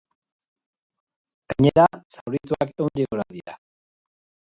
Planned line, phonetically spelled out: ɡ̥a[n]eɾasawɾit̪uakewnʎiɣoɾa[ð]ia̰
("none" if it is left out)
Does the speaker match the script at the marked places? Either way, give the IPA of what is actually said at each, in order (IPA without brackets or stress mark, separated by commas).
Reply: ɲ, ð